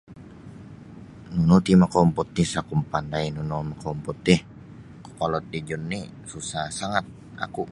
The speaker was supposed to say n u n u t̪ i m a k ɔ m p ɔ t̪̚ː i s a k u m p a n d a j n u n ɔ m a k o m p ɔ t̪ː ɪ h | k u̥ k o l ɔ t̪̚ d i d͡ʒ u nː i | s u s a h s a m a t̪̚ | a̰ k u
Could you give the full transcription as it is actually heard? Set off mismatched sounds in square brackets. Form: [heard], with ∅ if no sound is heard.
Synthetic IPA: n u n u t̪ i m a k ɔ m p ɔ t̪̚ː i s a k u m p a n d a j n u n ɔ m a k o m p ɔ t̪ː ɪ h | k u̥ k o l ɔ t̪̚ d i d͡ʒ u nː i | s u s a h s a [ŋ] a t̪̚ | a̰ k u